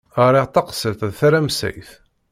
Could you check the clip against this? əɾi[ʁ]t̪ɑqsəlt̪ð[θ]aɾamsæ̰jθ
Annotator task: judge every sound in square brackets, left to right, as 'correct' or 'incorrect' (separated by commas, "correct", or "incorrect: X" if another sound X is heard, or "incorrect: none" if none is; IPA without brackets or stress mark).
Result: correct, correct